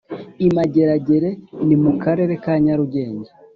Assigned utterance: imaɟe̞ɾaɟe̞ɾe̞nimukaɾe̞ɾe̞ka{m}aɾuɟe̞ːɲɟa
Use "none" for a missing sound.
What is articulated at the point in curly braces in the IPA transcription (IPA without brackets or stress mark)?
ɲ